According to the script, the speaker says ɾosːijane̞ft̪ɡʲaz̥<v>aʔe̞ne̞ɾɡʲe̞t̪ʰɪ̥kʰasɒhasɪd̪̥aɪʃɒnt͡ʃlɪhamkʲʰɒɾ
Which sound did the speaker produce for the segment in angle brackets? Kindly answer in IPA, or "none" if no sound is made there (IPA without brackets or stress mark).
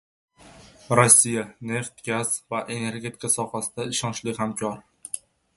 v